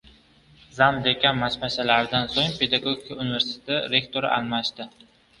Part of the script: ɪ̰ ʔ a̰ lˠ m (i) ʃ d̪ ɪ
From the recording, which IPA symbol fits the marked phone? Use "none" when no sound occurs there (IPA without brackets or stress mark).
a